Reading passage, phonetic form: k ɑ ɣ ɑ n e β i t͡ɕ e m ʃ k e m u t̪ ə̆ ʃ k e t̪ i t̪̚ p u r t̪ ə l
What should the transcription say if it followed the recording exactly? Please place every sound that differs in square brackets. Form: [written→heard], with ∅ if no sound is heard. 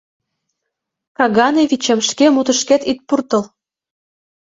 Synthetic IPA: k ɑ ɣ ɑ n e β i t͡ɕ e m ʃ k e m u t̪ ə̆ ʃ k e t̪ i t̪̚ p u r t̪ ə l